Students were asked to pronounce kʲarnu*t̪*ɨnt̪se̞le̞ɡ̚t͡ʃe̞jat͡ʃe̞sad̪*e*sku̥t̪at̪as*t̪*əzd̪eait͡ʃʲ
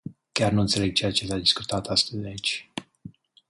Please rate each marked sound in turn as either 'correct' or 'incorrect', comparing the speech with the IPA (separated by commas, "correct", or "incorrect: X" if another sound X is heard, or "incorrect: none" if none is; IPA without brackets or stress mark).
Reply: incorrect: none, incorrect: i, correct